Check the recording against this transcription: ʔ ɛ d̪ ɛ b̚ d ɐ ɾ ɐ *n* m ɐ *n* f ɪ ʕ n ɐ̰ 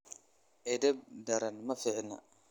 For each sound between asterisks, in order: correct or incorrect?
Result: correct, incorrect

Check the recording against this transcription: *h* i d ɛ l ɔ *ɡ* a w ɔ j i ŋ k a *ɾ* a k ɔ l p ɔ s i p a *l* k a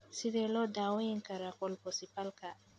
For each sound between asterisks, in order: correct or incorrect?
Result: incorrect, incorrect, correct, correct

